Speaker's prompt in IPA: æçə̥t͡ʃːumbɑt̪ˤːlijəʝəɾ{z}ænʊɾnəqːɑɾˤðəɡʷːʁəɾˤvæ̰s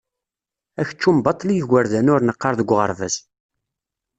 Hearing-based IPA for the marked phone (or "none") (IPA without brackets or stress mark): ð